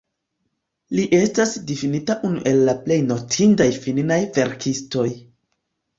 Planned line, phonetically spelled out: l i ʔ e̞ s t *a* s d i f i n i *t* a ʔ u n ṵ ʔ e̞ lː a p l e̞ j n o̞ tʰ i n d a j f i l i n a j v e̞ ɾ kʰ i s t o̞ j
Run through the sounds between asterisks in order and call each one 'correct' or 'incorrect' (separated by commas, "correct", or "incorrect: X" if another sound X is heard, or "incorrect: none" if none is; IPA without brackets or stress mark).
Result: correct, correct